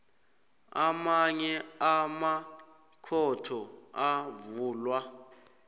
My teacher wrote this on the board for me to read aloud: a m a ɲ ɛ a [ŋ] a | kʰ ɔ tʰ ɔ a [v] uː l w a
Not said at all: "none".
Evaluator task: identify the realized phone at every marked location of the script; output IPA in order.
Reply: m, v

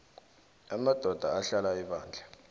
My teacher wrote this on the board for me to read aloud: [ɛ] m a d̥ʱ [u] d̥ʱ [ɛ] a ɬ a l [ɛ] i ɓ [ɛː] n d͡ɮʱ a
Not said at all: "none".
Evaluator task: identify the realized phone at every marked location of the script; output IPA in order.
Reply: a, ɔ, a, a, aː

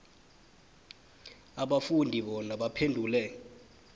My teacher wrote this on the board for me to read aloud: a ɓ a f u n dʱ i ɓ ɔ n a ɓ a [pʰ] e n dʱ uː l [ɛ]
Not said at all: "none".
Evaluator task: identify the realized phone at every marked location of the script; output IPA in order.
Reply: pʰ, ɛ

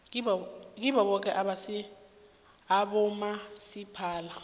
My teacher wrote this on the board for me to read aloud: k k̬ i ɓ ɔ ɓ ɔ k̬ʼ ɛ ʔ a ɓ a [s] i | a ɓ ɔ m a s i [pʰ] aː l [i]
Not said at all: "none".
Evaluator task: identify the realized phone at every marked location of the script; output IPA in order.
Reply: s, pʰ, a

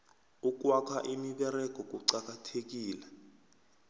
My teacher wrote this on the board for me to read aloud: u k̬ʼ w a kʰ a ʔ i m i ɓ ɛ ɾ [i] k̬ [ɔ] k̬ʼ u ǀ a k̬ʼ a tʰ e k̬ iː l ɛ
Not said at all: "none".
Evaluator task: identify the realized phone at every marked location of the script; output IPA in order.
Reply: ɛ, ɔ

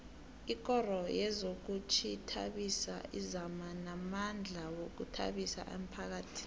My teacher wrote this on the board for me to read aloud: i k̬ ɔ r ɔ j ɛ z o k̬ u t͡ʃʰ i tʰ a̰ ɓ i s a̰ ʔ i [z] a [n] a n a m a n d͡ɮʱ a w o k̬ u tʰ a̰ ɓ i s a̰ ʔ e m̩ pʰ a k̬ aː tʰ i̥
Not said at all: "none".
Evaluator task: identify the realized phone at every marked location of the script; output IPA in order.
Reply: z, m

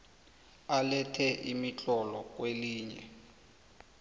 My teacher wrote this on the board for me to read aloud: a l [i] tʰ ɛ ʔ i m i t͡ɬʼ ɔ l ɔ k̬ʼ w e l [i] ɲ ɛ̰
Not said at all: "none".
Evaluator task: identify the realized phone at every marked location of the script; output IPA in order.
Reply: ɛ, iː

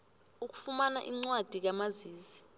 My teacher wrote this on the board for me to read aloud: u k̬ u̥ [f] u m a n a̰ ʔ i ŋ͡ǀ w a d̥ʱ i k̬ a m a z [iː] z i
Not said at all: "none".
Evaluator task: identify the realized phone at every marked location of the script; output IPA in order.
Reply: f, iː

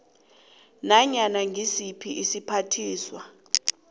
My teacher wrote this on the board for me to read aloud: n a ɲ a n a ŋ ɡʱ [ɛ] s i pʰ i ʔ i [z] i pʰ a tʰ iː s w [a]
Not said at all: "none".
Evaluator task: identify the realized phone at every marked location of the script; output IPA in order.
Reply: i, s, a

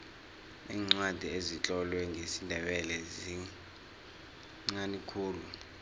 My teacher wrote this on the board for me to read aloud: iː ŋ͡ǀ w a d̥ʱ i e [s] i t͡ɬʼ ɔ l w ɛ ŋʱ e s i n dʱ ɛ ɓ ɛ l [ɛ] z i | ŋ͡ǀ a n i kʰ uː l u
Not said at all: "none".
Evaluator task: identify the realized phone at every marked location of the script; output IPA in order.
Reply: z, ɛ

